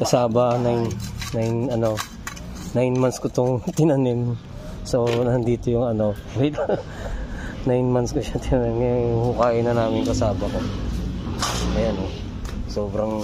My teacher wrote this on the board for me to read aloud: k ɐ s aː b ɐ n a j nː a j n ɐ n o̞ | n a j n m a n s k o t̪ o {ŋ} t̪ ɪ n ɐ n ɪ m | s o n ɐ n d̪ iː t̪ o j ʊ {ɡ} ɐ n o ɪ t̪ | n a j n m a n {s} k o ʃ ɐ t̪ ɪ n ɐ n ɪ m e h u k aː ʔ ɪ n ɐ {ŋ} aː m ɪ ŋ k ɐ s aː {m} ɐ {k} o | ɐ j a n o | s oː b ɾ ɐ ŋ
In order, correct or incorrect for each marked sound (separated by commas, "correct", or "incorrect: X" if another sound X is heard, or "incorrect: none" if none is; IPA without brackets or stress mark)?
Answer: correct, incorrect: ŋ, correct, incorrect: n, incorrect: b, correct